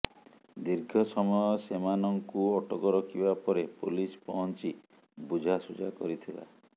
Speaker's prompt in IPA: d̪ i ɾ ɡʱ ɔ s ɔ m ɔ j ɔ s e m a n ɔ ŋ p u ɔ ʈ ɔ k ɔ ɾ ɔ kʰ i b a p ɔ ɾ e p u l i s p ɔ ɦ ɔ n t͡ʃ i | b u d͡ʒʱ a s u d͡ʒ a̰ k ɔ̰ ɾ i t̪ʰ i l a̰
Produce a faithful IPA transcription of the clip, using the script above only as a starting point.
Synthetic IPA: d̪ i ɾ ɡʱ ɔ s ɔ m ɔ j ɔ s e m a n ɔ ŋ k u ɔ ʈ ɔ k ɔ ɾ ɔ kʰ i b a p ɔ ɾ e p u l i s p ɔ ɦ ɔ n t͡ʃ i | b u d͡ʒʱ a s u d͡ʒ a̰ k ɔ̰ ɾ i t̪ʰ i l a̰